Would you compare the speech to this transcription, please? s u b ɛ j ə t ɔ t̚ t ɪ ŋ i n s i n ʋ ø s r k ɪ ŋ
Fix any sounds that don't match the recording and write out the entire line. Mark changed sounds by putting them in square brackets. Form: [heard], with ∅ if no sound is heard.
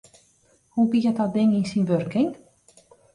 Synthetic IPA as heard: [h] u b [i] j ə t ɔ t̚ [d] ɪ ŋ i n s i n ʋ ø [∅] r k ɪ ŋ

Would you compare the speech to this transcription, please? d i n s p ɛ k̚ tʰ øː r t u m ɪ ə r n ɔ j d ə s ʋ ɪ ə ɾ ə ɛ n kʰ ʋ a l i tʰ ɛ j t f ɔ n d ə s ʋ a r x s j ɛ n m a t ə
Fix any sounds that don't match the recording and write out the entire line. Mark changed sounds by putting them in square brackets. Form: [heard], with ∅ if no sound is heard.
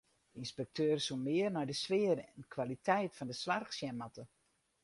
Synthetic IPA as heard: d i n s p ɛ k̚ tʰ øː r [s] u m ɪ ə r n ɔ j d ə s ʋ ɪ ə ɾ ə ɛ n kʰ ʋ a l i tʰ ɛ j t f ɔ n d ə s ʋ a r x s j ɛ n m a t ə

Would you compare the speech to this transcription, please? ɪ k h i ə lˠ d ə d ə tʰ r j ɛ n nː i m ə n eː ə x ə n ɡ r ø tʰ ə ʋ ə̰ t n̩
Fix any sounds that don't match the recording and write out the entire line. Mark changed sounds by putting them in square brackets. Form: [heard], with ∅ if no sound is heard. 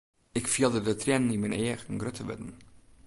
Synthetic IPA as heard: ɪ k [f] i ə lˠ d ə d ə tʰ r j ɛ n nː i m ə n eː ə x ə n ɡ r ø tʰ ə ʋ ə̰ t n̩

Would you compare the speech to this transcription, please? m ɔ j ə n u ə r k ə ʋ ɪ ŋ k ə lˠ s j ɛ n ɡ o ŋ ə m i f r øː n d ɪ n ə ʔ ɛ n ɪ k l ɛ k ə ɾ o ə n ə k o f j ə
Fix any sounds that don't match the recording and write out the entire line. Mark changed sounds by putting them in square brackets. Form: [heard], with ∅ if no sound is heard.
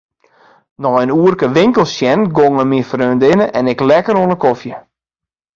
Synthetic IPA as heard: [n] ɔ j ə n u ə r k ə ʋ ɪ ŋ k ə lˠ s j ɛ n ɡ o ŋ ə m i f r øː n d ɪ n ə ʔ ɛ n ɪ k l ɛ k ə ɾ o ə n ə k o f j ə

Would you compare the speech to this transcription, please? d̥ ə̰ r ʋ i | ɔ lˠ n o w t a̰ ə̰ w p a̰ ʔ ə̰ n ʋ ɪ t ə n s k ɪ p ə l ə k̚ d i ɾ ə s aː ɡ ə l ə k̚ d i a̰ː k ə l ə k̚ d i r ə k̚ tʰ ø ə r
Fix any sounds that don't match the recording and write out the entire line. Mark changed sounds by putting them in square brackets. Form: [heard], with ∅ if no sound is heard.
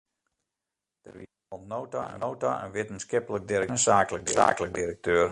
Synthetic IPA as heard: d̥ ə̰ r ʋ i | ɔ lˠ n o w t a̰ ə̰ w [t] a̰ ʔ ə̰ n ʋ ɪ t ə n s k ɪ p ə l ə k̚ d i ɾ ə s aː [k] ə l ə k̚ d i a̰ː k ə l ə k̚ d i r ə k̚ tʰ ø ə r

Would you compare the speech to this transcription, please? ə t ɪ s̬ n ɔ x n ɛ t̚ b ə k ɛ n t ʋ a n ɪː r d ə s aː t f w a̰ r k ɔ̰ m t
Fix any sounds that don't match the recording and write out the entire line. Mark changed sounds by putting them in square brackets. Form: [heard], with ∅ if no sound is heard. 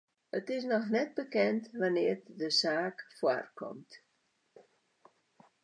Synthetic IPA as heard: ə t ɪ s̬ n ɔ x n ɛ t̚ b ə k ɛ n t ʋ a n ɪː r d ə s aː [k] f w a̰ r k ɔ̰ m t

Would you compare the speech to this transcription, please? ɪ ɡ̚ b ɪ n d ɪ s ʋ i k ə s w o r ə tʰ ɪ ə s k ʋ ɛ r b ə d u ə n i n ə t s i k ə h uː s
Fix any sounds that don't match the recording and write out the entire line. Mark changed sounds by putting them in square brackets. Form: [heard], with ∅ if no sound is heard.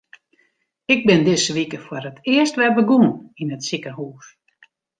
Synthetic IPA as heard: ɪ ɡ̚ b ɪ n d ɪ s ʋ i k ə [f] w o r ə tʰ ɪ ə s [t] ʋ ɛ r b ə [ɡ] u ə n i n ə t s i k ə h uː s

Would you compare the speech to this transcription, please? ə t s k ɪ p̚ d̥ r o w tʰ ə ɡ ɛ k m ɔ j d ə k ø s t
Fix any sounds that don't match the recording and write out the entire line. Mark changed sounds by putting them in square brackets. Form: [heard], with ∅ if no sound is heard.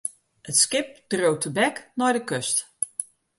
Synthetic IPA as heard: ə t s k ɪ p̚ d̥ r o w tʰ ə [b] ɛ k [n] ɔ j d ə k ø s t

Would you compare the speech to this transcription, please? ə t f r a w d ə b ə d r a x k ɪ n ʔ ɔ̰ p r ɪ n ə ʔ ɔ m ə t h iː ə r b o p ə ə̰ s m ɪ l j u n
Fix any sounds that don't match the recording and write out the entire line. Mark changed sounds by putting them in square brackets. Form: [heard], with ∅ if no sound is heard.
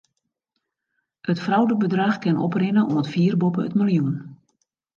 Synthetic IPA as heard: ə t f r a w d ə b ə d r a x k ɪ n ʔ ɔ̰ p r ɪ n ə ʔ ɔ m ə t [f] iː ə r b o p ə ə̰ [t] m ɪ l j u n

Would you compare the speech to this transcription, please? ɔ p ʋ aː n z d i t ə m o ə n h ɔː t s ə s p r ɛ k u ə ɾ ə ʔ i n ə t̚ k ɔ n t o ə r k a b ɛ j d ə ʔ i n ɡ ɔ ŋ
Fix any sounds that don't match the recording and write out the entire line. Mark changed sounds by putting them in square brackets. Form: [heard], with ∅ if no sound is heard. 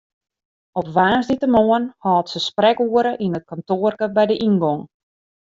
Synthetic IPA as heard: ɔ p ʋ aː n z d i t ə m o ə n h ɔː t s ə s p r ɛ k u ə ɾ ə ʔ i n ə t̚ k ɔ n t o ə r k [ə] b ɛ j d ə ʔ i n ɡ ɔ ŋ

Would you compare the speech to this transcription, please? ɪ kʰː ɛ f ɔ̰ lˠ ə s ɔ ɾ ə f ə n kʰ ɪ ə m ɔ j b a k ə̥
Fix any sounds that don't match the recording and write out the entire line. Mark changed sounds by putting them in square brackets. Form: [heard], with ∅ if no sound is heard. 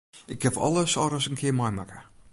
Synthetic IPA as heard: ɪ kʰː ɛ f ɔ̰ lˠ ə s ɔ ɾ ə [s] ə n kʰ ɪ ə m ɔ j [m] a k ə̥

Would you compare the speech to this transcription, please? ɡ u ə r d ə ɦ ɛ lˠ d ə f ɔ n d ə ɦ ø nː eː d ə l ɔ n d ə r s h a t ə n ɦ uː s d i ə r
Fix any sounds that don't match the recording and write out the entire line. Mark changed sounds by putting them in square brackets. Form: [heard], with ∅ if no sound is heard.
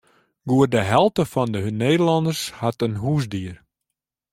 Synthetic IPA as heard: ɡ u ə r d ə ɦ ɛ lˠ [t] ə f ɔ n d ə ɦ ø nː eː d ə l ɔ n d ə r s h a t ə n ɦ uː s d i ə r

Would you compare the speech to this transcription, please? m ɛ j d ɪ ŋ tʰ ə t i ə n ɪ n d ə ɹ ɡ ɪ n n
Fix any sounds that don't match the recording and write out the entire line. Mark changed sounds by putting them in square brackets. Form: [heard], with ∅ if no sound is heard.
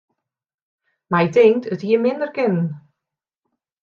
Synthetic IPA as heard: m [a] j d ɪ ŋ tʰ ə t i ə [m] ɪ n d ə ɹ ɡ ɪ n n

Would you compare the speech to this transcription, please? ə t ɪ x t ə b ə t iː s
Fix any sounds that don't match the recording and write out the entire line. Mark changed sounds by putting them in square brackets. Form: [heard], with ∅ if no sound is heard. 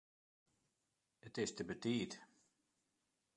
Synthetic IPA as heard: ə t ɪ [s] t ə b ə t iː [t]

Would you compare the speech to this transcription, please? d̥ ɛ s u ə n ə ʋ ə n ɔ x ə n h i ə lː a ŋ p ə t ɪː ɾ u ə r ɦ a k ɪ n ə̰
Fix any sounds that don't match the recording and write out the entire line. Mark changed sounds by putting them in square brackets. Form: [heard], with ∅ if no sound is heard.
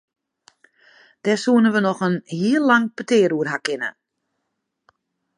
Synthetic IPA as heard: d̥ ɛ s u ə n ə ʋ ə n ɔ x ə n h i ə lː a ŋ p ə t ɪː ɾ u ə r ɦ a k ɪ n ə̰

